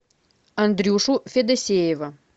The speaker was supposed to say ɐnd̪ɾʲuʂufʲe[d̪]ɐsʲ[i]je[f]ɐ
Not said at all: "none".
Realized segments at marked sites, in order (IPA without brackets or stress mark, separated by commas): d̪, e, v